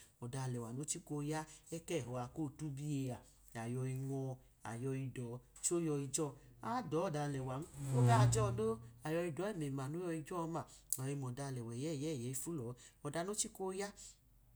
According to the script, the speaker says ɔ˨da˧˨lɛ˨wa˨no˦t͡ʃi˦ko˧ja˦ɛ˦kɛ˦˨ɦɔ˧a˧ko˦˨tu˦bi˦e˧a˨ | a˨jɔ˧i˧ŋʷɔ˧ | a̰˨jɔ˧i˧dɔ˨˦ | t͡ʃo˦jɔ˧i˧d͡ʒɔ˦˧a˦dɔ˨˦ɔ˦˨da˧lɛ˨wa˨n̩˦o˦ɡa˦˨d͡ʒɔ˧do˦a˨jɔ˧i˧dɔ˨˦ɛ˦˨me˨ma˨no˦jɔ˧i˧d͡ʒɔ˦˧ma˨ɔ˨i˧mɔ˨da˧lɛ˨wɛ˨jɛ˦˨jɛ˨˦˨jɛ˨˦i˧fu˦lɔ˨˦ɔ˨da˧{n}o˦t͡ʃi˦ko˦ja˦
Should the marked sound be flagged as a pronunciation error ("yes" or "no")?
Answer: no